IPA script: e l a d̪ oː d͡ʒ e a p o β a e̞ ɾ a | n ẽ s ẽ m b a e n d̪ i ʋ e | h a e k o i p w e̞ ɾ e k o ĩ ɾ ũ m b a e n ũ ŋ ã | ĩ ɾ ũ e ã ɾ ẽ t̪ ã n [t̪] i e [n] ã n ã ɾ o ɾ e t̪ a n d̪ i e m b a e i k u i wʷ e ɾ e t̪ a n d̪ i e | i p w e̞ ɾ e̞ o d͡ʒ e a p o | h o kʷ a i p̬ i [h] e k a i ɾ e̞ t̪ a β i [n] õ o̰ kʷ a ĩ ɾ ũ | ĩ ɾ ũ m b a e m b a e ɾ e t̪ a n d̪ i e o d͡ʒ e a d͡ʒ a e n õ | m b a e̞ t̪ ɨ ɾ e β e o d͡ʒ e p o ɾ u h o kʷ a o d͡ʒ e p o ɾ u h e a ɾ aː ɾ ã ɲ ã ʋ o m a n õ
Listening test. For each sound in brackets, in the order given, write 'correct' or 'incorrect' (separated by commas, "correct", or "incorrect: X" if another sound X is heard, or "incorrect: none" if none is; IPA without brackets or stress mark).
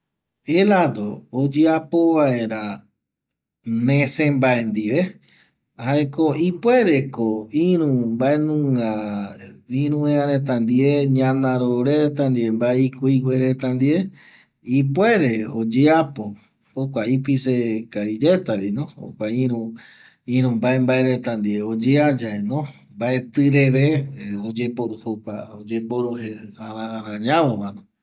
incorrect: d̪, incorrect: ɲ, incorrect: s, correct